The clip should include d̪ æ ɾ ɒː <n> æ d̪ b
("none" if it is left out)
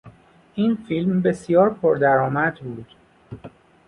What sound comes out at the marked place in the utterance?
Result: m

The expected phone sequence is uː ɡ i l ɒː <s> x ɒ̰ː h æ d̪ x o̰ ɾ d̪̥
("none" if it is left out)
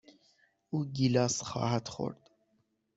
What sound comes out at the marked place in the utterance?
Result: s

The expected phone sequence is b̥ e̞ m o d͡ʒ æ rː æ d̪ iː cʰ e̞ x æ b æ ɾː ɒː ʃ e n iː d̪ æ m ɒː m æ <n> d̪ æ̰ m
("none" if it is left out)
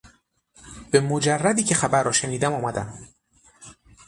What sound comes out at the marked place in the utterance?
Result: none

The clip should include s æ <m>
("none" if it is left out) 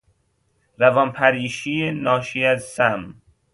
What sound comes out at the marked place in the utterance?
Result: m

